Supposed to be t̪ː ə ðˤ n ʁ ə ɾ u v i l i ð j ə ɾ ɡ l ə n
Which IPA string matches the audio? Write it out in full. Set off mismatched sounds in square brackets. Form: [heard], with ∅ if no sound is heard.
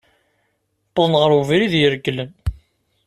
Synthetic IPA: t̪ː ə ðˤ n ʁ ə ɾ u v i [ɾ] i ð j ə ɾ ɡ l ə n